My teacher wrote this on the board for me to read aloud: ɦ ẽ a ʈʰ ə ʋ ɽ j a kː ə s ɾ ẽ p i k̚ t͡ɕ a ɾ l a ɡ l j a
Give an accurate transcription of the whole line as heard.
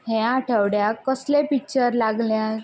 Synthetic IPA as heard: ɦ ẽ a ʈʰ ə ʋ ɽ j a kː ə s l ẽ p i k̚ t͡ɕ ə ɾ l a ɡ l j a